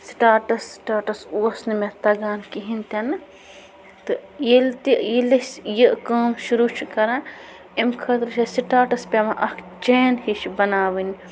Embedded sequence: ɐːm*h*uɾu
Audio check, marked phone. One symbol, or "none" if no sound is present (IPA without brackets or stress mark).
ʃ